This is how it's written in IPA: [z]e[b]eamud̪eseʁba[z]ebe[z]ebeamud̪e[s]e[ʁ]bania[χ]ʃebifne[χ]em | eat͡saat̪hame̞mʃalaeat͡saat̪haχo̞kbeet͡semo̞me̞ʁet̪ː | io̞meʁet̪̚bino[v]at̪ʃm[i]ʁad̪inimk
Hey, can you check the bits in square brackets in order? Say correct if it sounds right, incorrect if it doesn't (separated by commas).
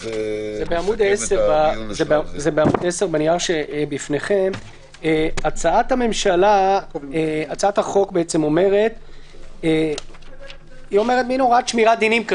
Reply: correct, correct, correct, correct, correct, correct, incorrect, correct, incorrect, correct